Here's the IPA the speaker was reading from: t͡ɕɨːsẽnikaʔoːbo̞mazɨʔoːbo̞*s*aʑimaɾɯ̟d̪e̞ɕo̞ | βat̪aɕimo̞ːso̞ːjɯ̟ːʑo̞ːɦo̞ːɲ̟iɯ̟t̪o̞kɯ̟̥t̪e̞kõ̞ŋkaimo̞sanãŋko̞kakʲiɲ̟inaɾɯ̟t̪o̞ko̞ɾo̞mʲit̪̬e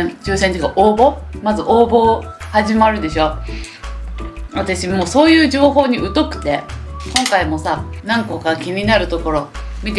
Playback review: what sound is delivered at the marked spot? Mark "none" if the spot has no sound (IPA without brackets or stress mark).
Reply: h